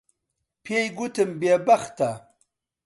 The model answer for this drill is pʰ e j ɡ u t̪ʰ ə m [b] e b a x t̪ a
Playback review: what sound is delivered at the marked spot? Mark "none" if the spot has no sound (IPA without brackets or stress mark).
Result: b